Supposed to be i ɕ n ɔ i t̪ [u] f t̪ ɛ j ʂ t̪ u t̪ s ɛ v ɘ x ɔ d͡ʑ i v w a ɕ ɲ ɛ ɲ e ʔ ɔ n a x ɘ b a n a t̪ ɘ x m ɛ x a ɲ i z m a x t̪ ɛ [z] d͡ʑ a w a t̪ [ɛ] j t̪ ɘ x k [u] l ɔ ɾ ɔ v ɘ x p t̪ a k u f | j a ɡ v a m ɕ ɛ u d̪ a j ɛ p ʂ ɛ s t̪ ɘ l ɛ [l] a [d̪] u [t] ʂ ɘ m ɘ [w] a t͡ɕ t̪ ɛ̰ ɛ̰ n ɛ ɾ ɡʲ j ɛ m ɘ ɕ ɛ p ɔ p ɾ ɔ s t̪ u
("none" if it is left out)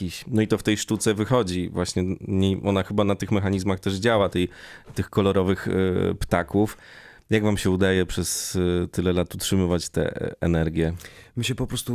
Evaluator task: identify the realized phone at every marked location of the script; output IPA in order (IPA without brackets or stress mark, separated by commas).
ɔ, ʐ, ɛ, ɔ, l, t̪, t, v